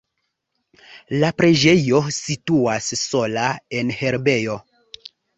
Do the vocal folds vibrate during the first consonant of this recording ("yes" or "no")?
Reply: yes